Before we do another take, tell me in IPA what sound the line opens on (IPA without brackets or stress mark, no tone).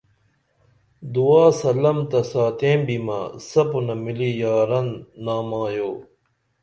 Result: d̪